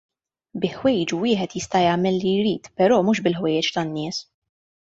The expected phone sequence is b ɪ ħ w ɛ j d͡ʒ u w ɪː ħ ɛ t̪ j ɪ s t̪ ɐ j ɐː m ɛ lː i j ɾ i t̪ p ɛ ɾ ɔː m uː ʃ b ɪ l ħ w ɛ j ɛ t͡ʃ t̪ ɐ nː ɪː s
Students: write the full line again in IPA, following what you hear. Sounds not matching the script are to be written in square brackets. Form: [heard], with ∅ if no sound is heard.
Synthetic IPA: b ɪ ħ w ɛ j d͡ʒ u w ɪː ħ ɛ t̪ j ɪ s t̪ ɐ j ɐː m ɛ lː i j ɾ [iː] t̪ p ɛ ɾ ɔː m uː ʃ b ɪ l ħ w ɛ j ɛ t͡ʃ t̪ ɐ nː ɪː s